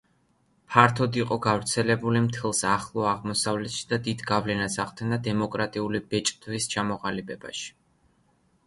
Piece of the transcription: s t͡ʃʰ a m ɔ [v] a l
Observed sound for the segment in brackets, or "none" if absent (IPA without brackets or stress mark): ʁ